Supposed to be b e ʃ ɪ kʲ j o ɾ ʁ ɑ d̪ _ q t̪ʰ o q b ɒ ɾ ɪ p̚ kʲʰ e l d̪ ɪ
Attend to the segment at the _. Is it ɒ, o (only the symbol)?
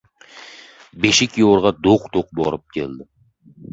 o